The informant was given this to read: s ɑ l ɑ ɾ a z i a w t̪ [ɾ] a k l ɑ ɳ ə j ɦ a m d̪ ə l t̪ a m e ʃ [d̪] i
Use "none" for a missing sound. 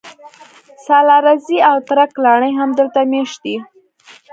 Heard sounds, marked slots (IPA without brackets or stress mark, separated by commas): ɾ, d̪